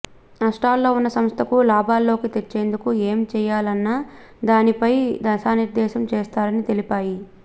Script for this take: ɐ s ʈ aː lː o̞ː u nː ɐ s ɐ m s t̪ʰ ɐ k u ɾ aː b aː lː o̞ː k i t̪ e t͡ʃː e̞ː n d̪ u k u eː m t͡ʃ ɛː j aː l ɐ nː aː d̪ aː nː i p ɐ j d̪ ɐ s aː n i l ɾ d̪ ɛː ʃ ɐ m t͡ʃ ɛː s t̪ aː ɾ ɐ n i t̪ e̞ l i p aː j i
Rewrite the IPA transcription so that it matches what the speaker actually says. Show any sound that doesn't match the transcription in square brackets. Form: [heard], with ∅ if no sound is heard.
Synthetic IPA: ɐ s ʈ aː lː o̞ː u nː ɐ s ɐ m s t̪ʰ ɐ k u [l] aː b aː lː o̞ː k i t̪ e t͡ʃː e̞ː n d̪ u k u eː m t͡ʃ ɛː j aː l ɐ nː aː d̪ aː [n] i p ɐ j d̪ ɐ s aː n i [∅] ɾ d̪ ɛː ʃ ɐ m t͡ʃ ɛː s t̪ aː ɾ ɐ n i t̪ e̞ l i p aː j i